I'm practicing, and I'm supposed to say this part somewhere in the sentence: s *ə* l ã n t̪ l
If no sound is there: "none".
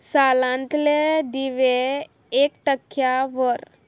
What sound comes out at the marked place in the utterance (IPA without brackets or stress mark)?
a